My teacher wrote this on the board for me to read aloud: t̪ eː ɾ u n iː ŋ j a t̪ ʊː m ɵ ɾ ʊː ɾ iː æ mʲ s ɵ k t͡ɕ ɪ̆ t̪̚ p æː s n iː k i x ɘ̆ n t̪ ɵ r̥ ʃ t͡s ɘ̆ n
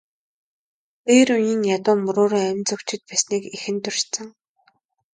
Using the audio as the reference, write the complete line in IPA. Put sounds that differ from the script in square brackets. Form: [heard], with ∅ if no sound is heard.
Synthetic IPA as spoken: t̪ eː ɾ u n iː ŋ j a t̪ ʊː m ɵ ɾ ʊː ɾ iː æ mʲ [t͡s] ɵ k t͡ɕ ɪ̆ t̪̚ p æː s n iː k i x ɘ̆ n t̪ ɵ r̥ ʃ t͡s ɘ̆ [ŋ]